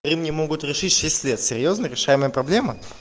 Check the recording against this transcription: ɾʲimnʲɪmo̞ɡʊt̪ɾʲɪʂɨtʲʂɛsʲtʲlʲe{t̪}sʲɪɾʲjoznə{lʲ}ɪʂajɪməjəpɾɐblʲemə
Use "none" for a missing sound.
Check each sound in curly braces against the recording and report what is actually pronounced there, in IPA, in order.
t̪, ɾʲ

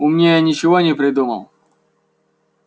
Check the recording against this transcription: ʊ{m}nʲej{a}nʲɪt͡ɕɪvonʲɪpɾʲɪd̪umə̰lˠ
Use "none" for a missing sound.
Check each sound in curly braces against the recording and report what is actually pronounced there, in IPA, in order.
m, a

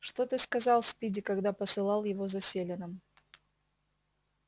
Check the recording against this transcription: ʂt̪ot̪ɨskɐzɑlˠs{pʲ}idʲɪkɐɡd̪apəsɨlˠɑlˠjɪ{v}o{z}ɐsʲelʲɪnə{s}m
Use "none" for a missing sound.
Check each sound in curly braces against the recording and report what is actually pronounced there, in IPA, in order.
pʲ, v, z, none

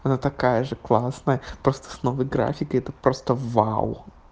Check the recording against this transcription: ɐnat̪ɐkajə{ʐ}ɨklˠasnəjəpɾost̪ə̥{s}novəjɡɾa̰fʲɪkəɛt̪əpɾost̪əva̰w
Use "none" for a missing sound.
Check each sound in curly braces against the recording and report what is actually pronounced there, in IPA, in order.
ʐ, s

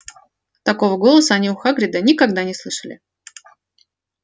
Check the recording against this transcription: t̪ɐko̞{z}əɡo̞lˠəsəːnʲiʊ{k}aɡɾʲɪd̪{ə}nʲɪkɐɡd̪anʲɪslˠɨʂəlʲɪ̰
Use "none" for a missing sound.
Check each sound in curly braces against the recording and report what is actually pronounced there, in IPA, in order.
v, x, ə

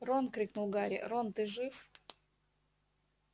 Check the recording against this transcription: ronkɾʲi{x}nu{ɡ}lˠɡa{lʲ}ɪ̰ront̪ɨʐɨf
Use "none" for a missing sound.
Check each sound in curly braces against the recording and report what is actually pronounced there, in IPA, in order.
k, none, ɾʲ

